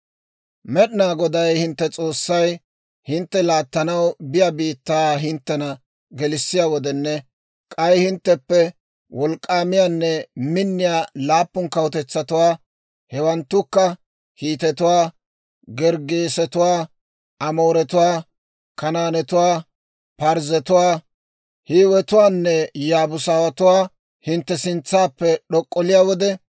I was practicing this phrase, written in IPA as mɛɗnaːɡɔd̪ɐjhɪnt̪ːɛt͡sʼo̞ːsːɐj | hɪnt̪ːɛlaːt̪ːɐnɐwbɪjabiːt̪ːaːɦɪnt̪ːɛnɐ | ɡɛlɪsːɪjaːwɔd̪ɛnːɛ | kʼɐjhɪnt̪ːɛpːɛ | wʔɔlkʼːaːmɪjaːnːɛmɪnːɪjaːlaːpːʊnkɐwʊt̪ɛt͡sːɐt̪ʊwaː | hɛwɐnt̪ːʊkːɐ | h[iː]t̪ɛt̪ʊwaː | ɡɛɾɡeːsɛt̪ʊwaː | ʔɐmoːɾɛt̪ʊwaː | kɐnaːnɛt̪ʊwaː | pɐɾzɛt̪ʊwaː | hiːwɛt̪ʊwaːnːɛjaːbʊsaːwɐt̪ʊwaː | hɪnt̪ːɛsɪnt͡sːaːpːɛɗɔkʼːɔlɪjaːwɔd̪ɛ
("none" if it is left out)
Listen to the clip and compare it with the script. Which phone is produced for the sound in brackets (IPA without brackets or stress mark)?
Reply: iː